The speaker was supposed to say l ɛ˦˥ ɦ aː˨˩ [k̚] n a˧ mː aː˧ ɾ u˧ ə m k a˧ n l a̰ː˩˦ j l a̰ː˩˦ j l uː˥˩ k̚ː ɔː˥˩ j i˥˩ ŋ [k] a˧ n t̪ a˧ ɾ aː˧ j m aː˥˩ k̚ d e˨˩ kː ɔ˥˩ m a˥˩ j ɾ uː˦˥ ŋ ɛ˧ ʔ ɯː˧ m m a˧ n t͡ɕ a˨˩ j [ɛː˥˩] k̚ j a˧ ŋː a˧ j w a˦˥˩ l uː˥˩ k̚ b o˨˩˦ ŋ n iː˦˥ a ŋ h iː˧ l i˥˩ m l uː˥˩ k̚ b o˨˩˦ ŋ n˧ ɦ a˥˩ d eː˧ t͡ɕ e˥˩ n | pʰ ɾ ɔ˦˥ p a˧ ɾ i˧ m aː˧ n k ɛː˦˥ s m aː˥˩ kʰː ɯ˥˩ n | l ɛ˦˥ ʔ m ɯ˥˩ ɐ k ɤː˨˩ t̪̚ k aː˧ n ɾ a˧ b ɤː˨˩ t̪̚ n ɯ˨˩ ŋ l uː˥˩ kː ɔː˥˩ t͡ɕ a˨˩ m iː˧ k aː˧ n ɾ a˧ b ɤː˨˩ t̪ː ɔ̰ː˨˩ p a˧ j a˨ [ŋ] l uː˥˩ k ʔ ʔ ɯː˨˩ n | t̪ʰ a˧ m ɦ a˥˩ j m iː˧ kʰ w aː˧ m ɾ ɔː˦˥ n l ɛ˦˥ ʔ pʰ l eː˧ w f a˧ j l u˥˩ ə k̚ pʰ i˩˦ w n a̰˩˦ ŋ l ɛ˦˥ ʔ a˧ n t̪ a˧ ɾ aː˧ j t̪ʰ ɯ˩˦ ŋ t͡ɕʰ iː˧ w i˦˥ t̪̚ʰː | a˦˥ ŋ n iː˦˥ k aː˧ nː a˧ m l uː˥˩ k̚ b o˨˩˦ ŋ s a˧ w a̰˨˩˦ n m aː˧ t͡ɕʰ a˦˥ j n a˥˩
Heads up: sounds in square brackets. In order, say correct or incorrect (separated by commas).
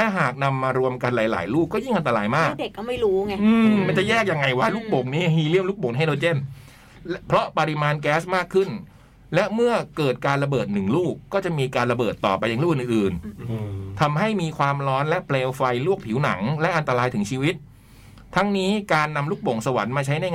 correct, incorrect, correct, correct